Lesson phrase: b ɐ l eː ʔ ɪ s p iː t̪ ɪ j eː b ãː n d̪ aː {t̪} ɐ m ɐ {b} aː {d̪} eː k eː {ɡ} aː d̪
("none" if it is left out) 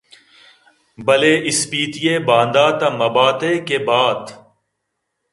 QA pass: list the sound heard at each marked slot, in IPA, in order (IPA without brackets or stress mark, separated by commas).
t̪, b, t̪, b